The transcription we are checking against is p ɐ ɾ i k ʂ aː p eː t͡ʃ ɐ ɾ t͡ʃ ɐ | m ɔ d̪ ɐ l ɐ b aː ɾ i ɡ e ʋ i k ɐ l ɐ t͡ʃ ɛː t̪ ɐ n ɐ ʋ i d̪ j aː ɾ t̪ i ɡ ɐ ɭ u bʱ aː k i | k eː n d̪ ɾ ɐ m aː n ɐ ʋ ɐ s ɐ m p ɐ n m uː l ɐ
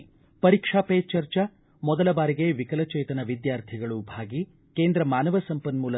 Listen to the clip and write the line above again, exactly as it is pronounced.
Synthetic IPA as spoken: p ɐ ɾ i k ʂ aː p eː t͡ʃ ɐ ɾ t͡ʃ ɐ | m ɔ d̪ ɐ l ɐ b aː ɾ i ɡ e ʋ i k ɐ l ɐ t͡ʃ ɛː t̪ ɐ n ɐ ʋ i d̪ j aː ɾ t̪ʰ i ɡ ɐ ɭ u bʱ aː ɡ i | k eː n d̪ ɾ ɐ m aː n ɐ ʋ ɐ s ɐ m p ɐ n m uː l ɐ

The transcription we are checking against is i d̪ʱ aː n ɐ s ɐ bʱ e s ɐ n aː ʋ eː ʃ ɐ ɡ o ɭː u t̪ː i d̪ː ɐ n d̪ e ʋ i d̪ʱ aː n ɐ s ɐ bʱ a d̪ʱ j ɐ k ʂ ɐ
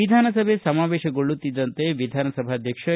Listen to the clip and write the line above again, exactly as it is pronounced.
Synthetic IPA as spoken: i d̪ʱ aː n ɐ s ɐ bʱ e s ɐ m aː ʋ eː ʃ ɐ ɡ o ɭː u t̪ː i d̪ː ɐ n t̪ e ʋ i d̪ʱ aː n ɐ s ɐ bʱ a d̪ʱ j ɐ k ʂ ɐ

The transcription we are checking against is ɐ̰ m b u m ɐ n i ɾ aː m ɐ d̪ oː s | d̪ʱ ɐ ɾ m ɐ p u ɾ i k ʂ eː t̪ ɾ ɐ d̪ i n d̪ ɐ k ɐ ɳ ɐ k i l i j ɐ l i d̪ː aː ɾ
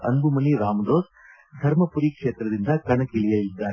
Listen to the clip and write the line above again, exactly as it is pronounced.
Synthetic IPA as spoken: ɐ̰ n b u m ɐ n i ɾ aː m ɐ d̪ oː s | d̪ʱ ɐ ɾ m ɐ p u ɾ i k ʂ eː t̪ ɾ ɐ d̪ i n d̪ ɐ k ɐ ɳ ɐ k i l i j ɐ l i d̪ː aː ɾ

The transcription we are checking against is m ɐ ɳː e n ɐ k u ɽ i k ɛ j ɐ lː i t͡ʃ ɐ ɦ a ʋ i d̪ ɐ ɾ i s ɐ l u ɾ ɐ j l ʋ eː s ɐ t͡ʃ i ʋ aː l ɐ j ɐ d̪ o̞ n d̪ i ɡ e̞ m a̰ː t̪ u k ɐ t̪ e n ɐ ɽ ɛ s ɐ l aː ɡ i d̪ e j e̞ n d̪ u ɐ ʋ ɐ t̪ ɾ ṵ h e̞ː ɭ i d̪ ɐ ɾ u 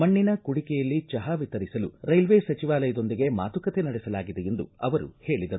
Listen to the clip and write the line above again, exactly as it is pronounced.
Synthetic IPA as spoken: m ɐ ɳː i n ɐ k u ɽ i k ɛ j ɐ lː i t͡ʃ ɐ ɦ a ʋ i t̪ ɐ ɾ i s ɐ l u ɾ ɐ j l ʋ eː s ɐ t͡ʃ i ʋ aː l ɐ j ɐ d̪ o̞ n d̪ i ɡ e̞ m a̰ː t̪ u k ɐ t̪ e n ɐ ɽ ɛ s ɐ l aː ɡ i d̪ e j e̞ n d̪ u ɐ ʋ ɐ ɾ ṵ h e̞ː ɭ i d̪ ɐ ɾ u

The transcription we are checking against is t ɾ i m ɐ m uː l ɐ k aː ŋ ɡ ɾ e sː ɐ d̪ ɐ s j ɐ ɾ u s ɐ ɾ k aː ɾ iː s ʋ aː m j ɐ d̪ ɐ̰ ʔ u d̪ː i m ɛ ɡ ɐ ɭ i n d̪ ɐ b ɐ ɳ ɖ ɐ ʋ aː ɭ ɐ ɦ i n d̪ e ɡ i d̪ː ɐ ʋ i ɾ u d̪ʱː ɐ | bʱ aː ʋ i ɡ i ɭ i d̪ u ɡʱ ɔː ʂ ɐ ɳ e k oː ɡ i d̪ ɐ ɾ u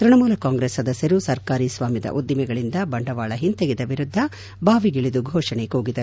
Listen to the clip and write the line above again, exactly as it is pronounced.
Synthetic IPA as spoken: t ɾ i ɳ ɐ m uː l ɐ k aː ŋ ɡ ɾ e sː ɐ d̪ ɐ s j ɐ ɾ u s ɐ ɾ k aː ɾ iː s ʋ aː m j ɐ d̪ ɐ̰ ʔ u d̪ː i m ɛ ɡ ɐ ɭ i n d̪ ɐ b ɐ ɳ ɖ ɐ ʋ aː ɭ ɐ ɦ i n t̪ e ɡ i d̪ ɐ ʋ i ɾ u d̪ʱː ɐ | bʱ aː ʋ i ɡ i ɭ i d̪ u ɡʱ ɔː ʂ ɐ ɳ e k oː ɡ i d̪ ɐ ɾ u

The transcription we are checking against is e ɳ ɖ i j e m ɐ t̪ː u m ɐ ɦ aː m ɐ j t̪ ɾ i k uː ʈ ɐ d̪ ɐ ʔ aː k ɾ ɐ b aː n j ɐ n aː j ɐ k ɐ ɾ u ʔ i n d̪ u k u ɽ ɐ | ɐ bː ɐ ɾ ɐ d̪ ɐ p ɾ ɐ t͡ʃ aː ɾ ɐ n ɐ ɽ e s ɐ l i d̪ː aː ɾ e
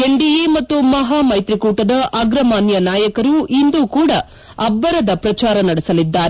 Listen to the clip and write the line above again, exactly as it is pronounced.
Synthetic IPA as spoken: e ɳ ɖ i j e m ɐ t̪ː u m ɐ ɦ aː m ɐ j t̪ ɾ i k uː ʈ ɐ d̪ ɐ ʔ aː ɡ ɾ ɐ m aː n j ɐ n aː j ɐ k ɐ ɾ u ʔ i n d̪ u k uː ɽ ɐ | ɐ bː ɐ ɾ ɐ d̪ ɐ p ɾ ɐ t͡ʃ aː ɾ ɐ n ɐ ɽ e s ɐ l i d̪ː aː ɾ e

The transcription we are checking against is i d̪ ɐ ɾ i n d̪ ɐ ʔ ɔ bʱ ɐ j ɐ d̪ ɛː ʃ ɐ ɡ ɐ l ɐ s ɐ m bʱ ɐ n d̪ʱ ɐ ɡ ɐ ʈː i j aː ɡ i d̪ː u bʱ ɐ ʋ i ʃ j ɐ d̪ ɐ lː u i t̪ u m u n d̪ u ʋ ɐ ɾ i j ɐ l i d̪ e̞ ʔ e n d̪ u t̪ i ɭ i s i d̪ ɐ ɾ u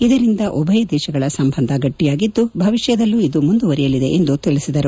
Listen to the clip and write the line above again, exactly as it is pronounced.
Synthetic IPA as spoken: i d̪ ɐ ɾ i n d̪ ɐ ʔ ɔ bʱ ɐ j ɐ d̪ ɛː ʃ ɐ ɡ ɐ ɭ ɐ s ɐ m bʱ ɐ n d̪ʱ ɐ ɡ ɐ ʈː i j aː ɡ i d̪ː u bʱ ɐ ʋ i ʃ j ɐ d̪ ɐ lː u i d̪ u m u n d̪ u ʋ ɐ ɾ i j ɐ l i d̪ e̞ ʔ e n d̪ u t̪ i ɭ i s i d̪ ɐ ɾ u

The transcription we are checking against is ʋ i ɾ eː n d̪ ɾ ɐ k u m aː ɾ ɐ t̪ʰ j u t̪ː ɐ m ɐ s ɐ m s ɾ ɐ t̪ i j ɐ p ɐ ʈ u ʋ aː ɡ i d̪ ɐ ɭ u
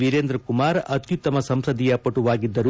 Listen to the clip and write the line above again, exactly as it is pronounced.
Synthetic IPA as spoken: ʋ i ɾ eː n d̪ ɾ ɐ k u m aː ɾ ɐ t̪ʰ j u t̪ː ɐ m ɐ s ɐ m s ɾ ɐ d̪ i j ɐ p ɐ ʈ u ʋ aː ɡ i d̪ː ɐ ɾ u

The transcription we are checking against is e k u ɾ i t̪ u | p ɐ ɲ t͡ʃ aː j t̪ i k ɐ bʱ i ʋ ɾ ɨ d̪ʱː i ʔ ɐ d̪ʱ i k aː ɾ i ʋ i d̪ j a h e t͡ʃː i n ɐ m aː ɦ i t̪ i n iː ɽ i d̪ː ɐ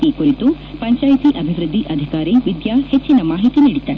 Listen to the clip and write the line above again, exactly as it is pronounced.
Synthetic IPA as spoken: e k u ɾ i t̪ u | p ɐ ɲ t͡ʃ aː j t̪ i ʔ ɐ bʱ i ʋ ɾ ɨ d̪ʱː i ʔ ɐ d̪ʱ i k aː ɾ i ʋ i d̪ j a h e t͡ʃː i n ɐ m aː ɦ i t̪ i n iː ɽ i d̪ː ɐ

